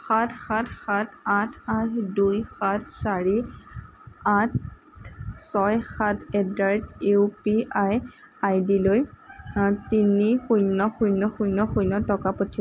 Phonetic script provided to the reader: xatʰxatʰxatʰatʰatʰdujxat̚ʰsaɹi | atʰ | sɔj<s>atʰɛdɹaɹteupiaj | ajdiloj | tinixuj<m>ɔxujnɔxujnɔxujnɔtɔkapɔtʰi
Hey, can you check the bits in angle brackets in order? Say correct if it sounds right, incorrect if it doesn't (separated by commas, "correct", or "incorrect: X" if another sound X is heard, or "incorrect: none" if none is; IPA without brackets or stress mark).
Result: incorrect: x, incorrect: n